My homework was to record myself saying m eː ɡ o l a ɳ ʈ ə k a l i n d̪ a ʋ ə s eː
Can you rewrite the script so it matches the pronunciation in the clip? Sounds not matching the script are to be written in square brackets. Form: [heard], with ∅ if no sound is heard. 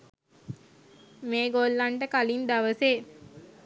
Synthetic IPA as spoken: m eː ɡ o [lː] a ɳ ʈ ə k a l i n d̪ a ʋ ə s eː